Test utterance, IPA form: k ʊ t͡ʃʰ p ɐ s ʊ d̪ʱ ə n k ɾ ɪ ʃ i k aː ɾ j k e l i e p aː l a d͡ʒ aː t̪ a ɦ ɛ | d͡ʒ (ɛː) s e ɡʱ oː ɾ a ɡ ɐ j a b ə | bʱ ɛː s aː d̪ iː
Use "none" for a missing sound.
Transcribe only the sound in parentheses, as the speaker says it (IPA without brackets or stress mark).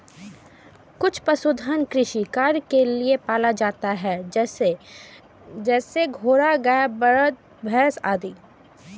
ɛː